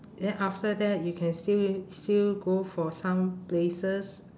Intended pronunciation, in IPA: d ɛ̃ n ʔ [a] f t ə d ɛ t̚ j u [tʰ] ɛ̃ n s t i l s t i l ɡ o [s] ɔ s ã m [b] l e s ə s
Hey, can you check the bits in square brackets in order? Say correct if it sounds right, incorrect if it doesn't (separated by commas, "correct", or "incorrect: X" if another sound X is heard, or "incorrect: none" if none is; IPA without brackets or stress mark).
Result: correct, incorrect: kʰ, incorrect: f, incorrect: p